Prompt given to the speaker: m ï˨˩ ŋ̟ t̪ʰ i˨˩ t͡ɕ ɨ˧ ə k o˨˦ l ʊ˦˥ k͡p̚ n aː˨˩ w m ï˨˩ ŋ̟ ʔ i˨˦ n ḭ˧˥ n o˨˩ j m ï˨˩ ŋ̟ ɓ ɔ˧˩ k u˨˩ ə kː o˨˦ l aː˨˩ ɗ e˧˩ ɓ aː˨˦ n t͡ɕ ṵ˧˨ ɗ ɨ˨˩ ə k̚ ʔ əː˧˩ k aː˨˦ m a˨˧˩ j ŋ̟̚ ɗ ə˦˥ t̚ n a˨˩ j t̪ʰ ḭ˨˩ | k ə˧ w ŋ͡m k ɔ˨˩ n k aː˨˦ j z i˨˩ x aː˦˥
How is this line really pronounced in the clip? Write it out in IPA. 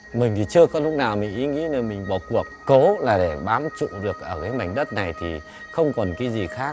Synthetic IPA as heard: m ï˨˩ ŋ̟ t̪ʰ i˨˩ t͡ɕ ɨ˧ ə k ɔ˨˦ l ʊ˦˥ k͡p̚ n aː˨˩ w m ï˨˩ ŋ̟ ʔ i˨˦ ŋ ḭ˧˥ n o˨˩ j m ï˨˩ ŋ̟ ɓ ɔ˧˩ k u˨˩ ə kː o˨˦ l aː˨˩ ɗ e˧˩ ɓ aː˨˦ m t͡ɕ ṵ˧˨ ɗ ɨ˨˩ ə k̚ ʔ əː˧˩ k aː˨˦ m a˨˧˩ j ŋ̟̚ ɗ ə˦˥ t̚ n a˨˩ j t̪ʰ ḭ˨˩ | x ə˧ w ŋ͡m k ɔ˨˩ n k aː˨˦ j z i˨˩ x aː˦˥